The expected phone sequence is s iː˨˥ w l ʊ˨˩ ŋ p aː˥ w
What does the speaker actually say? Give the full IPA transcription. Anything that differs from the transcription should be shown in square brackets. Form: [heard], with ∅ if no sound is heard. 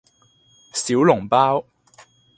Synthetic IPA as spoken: s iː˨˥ w l ʊ˨˩ ŋ p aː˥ w